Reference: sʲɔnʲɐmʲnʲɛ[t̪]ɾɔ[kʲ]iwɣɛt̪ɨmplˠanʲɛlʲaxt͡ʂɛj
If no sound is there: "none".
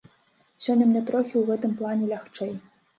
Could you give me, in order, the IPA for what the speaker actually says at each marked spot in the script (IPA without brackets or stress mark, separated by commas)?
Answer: t̪, xʲ